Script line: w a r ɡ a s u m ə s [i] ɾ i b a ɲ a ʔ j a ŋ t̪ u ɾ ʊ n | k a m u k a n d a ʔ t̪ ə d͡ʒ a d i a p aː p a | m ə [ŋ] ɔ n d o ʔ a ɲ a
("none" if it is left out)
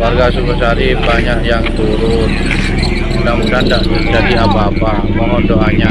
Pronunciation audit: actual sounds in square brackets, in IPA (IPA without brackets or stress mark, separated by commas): a, ŋ